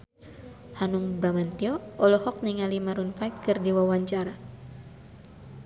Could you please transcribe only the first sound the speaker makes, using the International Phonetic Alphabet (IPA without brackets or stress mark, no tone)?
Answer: h